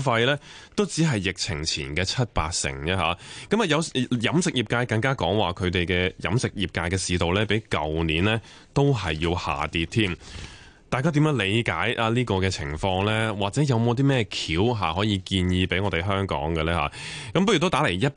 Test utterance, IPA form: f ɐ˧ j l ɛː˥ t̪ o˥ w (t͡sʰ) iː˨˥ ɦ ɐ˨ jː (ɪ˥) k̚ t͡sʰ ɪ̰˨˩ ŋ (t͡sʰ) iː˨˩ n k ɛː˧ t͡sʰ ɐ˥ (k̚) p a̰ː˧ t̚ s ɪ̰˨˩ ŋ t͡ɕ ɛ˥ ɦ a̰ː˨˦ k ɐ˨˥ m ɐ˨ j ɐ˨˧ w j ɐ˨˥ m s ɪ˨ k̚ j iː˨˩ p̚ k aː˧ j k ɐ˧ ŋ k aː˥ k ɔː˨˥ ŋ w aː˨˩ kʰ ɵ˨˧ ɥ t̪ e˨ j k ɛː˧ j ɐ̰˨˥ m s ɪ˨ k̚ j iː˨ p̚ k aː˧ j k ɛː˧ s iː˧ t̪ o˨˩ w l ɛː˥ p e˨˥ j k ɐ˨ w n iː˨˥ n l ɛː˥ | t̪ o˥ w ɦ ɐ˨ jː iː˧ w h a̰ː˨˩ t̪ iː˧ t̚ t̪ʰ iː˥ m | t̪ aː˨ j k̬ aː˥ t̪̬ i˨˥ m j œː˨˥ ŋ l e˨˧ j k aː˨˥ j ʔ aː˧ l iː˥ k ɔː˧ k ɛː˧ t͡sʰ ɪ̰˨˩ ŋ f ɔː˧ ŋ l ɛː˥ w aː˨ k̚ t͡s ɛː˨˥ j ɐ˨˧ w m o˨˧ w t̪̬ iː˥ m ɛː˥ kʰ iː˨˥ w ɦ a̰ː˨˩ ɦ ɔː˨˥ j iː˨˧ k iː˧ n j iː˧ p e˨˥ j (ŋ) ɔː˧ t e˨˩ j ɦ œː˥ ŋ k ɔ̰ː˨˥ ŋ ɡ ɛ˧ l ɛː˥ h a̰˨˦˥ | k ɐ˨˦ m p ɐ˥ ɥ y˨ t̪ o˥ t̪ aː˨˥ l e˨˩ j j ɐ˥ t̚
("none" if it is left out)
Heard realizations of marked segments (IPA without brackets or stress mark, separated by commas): t͡s, ɪ˨, t͡sʰ, t̚, ŋ